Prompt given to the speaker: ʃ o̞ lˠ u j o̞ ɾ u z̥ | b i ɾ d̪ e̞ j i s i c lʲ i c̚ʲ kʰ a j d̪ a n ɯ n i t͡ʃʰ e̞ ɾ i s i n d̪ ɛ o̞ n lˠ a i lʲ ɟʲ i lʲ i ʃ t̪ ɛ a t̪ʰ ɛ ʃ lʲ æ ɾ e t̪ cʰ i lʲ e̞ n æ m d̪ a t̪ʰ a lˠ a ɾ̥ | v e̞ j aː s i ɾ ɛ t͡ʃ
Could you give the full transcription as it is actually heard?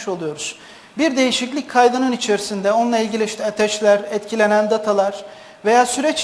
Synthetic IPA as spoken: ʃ o̞ lˠ u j o̞ ɾ u z̥ | b i ɾ d̪ e̞ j i ʃ i c lʲ i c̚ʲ kʰ a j d̪ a n ɯ n i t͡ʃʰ e̞ ɾ i s i n d̪ ɛ o̞ n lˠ a i lʲ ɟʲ i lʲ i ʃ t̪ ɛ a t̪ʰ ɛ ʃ lʲ æ ɾ ɛ t̪ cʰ i lʲ e̞ n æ n d̪ a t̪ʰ a lˠ a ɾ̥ | v e̞ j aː s y ɾ ɛ t͡ʃ